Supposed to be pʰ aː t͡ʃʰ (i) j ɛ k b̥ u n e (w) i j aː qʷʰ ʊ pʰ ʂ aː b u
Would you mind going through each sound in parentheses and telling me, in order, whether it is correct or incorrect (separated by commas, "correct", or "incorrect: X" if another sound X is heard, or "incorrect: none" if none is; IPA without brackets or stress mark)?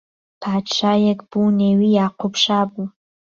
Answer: incorrect: a, correct